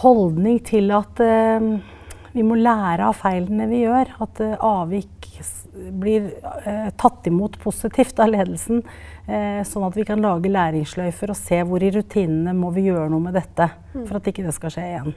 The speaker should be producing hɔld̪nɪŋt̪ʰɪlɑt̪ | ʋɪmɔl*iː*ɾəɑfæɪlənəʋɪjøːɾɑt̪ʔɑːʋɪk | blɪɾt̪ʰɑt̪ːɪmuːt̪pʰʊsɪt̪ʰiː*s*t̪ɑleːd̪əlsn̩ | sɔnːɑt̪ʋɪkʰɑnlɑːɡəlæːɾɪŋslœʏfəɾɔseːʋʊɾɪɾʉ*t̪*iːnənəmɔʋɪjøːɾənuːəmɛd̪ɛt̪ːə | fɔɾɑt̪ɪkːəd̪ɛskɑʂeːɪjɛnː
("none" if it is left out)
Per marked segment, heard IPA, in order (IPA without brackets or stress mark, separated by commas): æː, f, t̪ʰ